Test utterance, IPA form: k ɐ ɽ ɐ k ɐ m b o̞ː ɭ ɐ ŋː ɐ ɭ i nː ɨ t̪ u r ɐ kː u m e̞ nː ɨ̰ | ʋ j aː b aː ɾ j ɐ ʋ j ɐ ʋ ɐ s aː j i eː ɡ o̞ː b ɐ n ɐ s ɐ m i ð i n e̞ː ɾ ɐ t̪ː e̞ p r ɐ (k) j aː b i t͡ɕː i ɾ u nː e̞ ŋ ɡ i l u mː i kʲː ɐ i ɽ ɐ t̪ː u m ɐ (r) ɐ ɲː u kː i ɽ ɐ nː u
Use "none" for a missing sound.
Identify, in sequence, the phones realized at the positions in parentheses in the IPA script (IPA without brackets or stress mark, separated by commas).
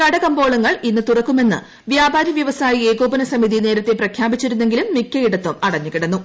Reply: kʰ, ɽ